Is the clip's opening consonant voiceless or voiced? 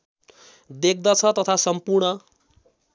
voiced